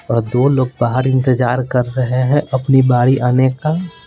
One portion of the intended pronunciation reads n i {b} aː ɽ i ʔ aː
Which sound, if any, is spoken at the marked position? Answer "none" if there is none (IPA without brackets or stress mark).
b